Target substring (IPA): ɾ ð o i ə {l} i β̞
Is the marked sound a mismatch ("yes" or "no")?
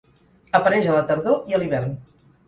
no